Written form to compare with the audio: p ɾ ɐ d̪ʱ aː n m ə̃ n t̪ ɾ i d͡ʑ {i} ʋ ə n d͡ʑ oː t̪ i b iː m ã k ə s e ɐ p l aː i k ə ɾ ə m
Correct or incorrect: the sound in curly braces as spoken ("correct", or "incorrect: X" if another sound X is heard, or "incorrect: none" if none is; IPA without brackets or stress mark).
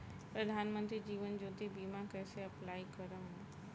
incorrect: iː